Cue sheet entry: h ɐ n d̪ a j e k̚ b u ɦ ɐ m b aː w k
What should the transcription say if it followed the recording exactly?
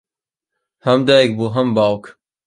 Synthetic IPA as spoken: h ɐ m d̪ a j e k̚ b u ɦ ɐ m b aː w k